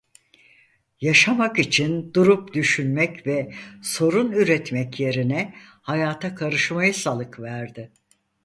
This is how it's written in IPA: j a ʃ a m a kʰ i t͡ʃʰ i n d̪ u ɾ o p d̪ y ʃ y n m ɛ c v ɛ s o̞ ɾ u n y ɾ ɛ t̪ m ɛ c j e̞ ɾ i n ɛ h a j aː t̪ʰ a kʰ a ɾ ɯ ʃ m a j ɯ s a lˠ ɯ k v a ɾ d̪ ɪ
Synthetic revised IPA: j a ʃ a m a k i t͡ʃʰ i n d̪ u ɾ u p d̪ y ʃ y n m ɛ c v ɛ s o̞ ɾ u n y ɾ ɛ t̪ m ɛ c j e̞ ɾ i n ɛ h a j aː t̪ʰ a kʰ a ɾ ɯ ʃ m a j ɯ s a lˠ ɯ k v æ ɾ d̪ ɪ

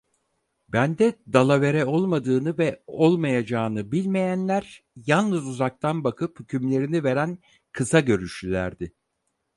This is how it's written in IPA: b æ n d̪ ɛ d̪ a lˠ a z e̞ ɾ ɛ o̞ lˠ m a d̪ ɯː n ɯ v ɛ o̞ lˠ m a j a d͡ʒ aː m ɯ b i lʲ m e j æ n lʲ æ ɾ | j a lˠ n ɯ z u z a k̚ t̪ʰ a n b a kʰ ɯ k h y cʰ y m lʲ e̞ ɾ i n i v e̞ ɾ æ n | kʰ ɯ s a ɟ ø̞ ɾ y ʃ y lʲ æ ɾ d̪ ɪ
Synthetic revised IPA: b æ n d̪ ɛ d̪ a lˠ a v e̞ ɾ ɛ o̞ lˠ m a d̪ ɯː n ɯ v ɛ o̞ lˠ m a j a d͡ʒ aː n ɯ b i lʲ m e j æ n lʲ æ ɾ | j a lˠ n ɯ z u z a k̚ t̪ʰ a n b a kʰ ɯ p h y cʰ y m lʲ e̞ ɾ i n i v e̞ ɾ æ n | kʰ ɯ s a ɟ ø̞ ɾ y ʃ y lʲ æ ɾ d̪ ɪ

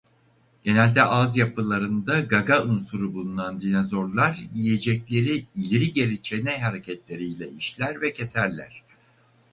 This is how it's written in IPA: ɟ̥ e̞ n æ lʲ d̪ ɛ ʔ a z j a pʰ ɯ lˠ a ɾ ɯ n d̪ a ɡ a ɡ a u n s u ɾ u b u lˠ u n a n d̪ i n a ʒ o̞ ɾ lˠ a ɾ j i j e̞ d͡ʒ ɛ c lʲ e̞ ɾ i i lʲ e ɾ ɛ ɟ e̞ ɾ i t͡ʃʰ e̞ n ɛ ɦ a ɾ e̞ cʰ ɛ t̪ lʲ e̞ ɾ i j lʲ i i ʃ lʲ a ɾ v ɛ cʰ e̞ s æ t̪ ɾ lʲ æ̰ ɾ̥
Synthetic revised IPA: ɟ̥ e̞ n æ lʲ d̪ ɛ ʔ a z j a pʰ ɯ lˠ a ɾ ɯ n d̪ a ɡ a ɡ a u n s u ɾ u b u lˠ u n a n d̪ i n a z o̞ ɾ lˠ a ɾ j i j e̞ d͡ʒ ɛ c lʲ e̞ ɾ i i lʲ e ɾ i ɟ e̞ ɾ i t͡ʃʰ e̞ n ɛ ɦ a ɾ e̞ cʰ ɛ t̪ lʲ e̞ ɾ i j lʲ ɛ i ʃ lʲ æ ɾ v ɛ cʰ e̞ s æ ɾ lʲ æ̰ ɾ̥

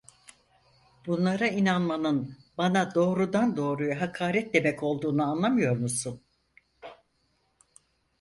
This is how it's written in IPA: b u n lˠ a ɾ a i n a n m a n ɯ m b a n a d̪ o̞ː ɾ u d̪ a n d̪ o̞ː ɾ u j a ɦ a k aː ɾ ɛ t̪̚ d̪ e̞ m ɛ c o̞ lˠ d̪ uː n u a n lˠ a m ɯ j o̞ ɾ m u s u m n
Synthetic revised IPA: b u n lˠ a ɾ a i n a n m a n ɯ n b a n a d̪ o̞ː ɾ u d̪ a n d̪ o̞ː ɾ u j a ɦ a kʰ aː ɾ ɛ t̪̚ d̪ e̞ m ɛ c o̞ lˠ d̪ uː n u a n lˠ a m ɯ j o̞ ɾ m u s u n

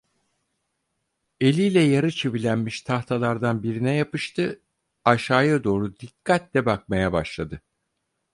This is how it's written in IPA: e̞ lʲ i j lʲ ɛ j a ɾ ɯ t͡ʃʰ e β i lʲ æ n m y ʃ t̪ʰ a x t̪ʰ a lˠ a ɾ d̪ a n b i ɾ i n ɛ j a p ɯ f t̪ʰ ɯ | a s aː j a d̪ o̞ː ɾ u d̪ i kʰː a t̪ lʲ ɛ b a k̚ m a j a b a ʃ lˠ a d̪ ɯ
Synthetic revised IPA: e̞ lʲ i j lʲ ɛ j a ɾ ɯ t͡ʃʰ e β i lʲ æ n m i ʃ t̪ʰ a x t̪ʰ a lˠ a ɾ d̪ a n b i ɾ i n ɛ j a p ɯ ʃ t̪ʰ ɯ | a ʃ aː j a d̪ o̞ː ɾ u d̪ i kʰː a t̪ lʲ ɛ b a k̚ m a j a b a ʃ lˠ a d̪ ɯ

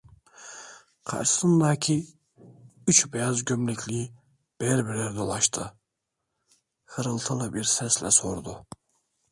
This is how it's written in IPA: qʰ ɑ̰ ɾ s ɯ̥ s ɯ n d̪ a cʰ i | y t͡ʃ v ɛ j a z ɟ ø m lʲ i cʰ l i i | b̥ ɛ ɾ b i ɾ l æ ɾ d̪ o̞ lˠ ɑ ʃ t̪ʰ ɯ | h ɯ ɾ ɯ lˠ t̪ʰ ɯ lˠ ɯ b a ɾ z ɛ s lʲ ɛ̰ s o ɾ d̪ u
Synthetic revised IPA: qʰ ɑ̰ ɾ ʃ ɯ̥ s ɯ n d̪ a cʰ i | y t͡ʃ b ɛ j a z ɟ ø m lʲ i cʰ l i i | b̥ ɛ ɾ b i ɾ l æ ɾ d̪ o̞ lˠ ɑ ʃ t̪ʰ ɯ | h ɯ ɾ ɯ lˠ t̪ʰ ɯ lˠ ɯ b i ɾ s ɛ s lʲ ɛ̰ s o ɾ d̪ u

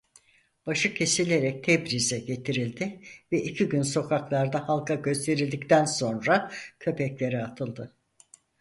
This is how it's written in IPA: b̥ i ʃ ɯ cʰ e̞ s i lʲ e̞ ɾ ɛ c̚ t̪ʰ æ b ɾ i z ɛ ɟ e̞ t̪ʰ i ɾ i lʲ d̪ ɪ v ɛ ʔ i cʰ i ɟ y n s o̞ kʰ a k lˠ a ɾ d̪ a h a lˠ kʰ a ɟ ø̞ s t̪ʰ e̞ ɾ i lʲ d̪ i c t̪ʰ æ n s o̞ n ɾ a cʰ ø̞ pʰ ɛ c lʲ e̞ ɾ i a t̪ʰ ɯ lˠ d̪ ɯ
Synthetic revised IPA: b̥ a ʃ ɯ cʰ e̞ s i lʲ e̞ ɾ ɛ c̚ t̪ʰ ɛ b ɾ i z ɛ ɟ e̞ t̪ʰ i ɾ i lʲ d̪ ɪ v ɛ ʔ i cʰ i ɟ y n s o̞ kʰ a k lˠ a ɾ d̪ a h a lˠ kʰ a ɟ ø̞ s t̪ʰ e̞ ɾ i lʲ d̪ i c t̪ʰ æ n s o̞ n ɾ a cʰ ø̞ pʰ ɛ c lʲ e̞ ɾ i a t̪ʰ ɯ lˠ d̪ ɯ

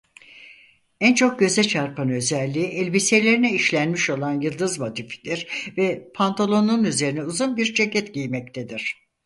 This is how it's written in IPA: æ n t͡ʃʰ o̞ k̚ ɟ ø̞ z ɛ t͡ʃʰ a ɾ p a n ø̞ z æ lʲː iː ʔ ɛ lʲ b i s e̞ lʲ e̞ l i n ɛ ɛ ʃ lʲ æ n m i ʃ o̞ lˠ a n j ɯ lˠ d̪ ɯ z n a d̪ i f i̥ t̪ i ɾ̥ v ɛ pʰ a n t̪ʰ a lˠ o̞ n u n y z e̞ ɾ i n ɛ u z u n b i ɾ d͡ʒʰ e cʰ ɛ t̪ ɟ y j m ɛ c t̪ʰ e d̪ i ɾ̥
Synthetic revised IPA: æ n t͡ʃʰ o̞ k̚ ɟ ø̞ z ɛ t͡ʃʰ a ɾ p a n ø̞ z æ lʲː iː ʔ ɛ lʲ b i s e̞ lʲ e̞ ɾ i n ɛ i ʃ lʲ æ n m i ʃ o̞ lˠ a n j ɯ lˠ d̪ ɯ z m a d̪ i f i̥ d̪ i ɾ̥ v ɛ pʰ a n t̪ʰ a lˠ o̞ n u n y z e̞ ɾ i n ɛ u z u n b i ɾ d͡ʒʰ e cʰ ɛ t̪ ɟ i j m ɛ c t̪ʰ e d̪ i ɾ̥

